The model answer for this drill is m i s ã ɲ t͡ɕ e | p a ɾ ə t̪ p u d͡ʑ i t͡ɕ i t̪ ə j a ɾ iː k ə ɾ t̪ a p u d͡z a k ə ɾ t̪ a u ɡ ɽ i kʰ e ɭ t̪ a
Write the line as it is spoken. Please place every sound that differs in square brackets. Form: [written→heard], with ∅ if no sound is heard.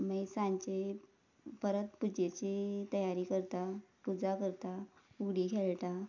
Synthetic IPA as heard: m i s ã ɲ t͡ɕ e | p [a→ə] ɾ ə t̪ p u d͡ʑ [i→e] t͡ɕ i t̪ ə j a ɾ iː k ə ɾ t̪ a p u d͡z a k ə ɾ t̪ a u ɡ ɽ i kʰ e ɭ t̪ a

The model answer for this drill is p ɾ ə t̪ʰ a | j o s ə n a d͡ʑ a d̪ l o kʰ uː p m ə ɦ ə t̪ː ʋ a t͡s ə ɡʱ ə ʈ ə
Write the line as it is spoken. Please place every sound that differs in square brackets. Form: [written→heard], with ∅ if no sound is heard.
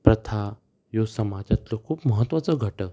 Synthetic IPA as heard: p ɾ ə t̪ʰ a | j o s ə [n→m] a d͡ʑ a [d̪→t̪] l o kʰ uː p m ə ɦ ə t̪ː ʋ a t͡s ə ɡʱ ə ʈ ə

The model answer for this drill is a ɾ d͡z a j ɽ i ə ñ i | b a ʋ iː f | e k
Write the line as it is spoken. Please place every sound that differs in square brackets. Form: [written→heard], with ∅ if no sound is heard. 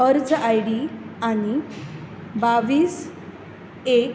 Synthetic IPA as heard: [a→ə] ɾ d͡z a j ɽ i [ə→a] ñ i | b a ʋ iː [f→s] | e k

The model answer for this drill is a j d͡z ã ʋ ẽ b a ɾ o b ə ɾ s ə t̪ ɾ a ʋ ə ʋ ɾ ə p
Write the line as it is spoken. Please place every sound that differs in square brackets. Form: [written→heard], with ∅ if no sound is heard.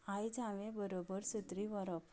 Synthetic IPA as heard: a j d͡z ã ʋ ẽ b [a→ə] ɾ o b ə ɾ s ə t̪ ɾ [a→i] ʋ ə [ʋ→∅] ɾ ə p

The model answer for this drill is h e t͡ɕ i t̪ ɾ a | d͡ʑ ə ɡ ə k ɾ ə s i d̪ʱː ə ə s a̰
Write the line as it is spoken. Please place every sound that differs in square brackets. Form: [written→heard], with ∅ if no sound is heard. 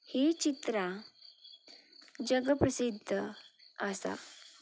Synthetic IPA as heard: h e t͡ɕ i t̪ ɾ a | d͡ʑ ə ɡ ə [k→p] ɾ ə s i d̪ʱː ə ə s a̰

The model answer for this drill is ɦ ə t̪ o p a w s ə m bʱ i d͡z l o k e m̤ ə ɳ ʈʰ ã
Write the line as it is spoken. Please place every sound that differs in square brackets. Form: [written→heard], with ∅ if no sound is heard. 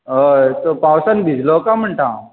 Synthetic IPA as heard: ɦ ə t̪ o p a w s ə [m→n] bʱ i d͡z l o k [e→a] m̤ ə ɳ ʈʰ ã

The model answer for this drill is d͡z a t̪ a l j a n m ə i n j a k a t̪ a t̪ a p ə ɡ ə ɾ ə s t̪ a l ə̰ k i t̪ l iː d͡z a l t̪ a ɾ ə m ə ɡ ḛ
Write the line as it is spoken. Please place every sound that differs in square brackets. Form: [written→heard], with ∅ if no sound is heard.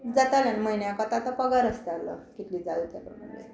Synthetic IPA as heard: d͡z a t̪ a l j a n m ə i n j a k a t̪ a t̪ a p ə ɡ [ə→a] ɾ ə s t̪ a l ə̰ k i t̪ l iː d͡z a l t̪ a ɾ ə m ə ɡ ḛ

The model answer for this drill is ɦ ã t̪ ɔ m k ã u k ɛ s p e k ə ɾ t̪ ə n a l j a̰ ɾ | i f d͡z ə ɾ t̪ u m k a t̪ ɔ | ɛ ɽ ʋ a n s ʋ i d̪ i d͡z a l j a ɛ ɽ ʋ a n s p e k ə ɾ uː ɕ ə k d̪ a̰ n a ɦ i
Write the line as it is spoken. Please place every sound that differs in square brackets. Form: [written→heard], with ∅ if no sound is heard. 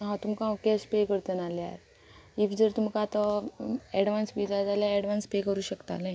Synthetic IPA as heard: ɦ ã t̪ [ɔ→u] m k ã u k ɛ s p e k ə ɾ t̪ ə n a l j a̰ ɾ | i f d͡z ə ɾ t̪ u m k a t̪ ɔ | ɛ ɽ ʋ a n s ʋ i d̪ [i→a] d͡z a l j a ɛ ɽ ʋ a n s p e k ə ɾ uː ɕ ə k [d̪→t̪] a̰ n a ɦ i

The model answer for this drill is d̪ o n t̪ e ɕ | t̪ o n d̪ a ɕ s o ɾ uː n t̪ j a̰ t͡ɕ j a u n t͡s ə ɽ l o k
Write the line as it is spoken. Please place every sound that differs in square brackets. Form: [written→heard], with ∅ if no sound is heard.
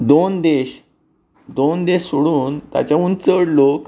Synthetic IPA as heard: d̪ o n [t̪→d̪] e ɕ | [t̪→d̪] o n d̪ [a→e] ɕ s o [ɾ→ɽ] uː n t̪ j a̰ t͡ɕ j a u n t͡s ə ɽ l o k

